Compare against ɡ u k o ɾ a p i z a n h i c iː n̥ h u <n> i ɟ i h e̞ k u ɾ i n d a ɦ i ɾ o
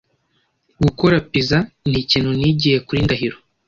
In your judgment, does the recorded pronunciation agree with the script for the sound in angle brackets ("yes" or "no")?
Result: yes